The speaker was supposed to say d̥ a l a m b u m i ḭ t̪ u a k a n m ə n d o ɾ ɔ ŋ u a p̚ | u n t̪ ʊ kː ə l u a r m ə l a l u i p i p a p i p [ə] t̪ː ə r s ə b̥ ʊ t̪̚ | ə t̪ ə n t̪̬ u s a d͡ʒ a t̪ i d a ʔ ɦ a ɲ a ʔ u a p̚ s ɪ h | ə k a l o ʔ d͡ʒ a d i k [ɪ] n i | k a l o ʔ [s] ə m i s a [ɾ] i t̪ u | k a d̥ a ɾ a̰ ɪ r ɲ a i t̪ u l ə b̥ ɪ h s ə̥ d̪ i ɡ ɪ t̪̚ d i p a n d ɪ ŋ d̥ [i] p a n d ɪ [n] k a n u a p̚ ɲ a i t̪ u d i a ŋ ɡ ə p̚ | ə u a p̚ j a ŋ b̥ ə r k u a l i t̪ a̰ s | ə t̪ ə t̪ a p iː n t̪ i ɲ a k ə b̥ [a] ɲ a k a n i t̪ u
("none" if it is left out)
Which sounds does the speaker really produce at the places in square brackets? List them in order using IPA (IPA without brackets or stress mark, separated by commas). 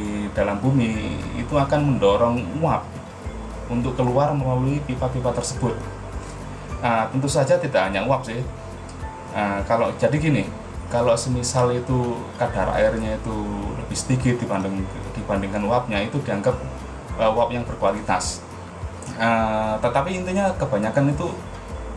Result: a, i, s, l, i, ŋ, a